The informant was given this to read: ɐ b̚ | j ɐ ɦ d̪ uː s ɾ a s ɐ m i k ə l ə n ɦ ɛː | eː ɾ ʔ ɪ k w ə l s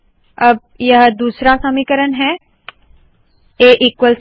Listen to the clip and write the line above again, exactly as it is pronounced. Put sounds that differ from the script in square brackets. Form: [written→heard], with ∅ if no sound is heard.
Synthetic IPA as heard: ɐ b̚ | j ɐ ɦ d̪ uː s ɾ a s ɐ m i k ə [l→ɾ] ə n ɦ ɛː | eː [ɾ→∅] ʔ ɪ k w ə l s